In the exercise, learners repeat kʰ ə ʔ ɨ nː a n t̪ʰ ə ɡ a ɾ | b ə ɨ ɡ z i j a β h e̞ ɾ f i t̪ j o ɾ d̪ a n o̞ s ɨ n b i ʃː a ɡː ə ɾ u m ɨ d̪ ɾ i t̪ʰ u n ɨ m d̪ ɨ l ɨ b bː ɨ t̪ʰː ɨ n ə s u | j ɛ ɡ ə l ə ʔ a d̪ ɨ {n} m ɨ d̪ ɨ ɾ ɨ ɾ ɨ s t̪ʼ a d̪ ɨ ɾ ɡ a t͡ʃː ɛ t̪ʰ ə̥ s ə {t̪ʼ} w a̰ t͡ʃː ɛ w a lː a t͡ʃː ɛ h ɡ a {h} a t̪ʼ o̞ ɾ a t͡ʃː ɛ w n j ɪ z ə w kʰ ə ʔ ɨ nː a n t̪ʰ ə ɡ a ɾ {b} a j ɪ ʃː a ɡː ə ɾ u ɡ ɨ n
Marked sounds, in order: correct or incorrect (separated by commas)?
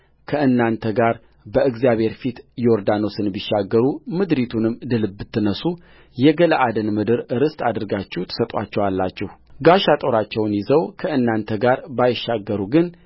correct, correct, incorrect, correct